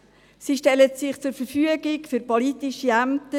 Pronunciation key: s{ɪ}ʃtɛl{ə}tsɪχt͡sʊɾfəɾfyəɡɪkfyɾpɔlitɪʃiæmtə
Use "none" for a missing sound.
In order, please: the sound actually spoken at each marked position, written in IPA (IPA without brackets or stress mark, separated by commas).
i, ə